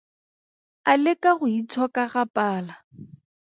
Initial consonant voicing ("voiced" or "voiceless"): voiced